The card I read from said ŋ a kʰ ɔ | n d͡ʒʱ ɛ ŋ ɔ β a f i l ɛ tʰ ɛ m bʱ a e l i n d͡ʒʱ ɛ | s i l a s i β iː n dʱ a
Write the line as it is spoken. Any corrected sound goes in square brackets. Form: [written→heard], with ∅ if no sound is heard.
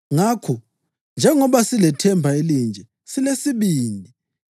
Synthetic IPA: ŋ a kʰ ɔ | n d͡ʒʱ ɛ ŋ ɔ β a [f→s] i l ɛ tʰ ɛ m bʱ a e l i n d͡ʒʱ ɛ | s i l [a→e] s i β iː n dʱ [a→i]